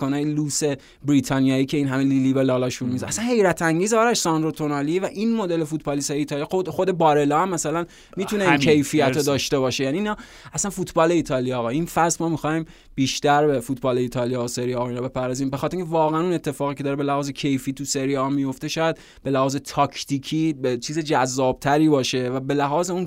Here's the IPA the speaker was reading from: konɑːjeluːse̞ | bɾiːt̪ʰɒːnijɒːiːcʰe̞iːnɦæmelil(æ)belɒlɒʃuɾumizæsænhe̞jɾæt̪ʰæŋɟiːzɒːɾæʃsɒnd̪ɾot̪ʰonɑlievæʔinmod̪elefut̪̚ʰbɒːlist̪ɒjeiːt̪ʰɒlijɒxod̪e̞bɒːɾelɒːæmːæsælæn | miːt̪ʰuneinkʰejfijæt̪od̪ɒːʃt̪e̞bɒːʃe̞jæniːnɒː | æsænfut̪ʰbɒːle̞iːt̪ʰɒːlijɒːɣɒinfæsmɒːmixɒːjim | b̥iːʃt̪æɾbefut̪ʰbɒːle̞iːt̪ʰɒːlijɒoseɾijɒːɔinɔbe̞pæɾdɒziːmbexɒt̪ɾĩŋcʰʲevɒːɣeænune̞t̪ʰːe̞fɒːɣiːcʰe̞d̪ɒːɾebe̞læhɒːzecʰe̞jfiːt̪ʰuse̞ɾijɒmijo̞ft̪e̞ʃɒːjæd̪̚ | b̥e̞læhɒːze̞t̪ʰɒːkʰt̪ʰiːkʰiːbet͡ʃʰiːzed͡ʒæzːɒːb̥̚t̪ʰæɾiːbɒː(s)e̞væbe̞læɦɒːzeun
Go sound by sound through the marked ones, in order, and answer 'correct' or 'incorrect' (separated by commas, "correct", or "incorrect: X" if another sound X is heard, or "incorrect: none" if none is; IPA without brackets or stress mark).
incorrect: i, incorrect: ʃ